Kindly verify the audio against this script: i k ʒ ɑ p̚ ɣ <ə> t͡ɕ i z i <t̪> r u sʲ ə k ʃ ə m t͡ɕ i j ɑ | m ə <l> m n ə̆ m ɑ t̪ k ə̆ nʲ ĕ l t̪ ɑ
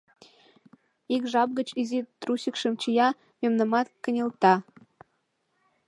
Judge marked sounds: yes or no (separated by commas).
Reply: yes, yes, no